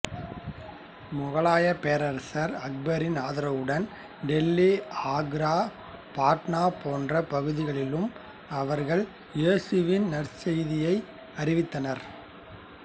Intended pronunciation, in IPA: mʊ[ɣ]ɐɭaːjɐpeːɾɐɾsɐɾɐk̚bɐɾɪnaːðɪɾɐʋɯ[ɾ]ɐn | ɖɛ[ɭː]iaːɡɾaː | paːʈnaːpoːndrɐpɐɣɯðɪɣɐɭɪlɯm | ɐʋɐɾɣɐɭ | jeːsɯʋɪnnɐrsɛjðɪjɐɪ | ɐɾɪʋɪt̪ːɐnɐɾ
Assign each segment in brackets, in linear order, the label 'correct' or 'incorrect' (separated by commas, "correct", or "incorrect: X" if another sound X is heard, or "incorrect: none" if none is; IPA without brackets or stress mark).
correct, incorrect: ɽ, incorrect: lː